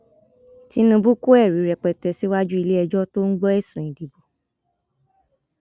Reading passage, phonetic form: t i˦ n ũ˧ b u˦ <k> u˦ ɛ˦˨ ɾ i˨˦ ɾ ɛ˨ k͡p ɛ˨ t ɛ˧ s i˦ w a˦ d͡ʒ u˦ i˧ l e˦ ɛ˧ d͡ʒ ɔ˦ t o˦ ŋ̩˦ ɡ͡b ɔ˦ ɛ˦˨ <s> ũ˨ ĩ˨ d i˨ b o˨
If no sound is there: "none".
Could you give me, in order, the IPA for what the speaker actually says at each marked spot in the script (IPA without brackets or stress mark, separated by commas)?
k, s